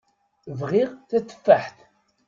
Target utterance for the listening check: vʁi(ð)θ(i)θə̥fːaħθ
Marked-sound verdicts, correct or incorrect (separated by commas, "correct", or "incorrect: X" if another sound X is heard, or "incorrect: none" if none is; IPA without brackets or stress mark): incorrect: ʁ, incorrect: æ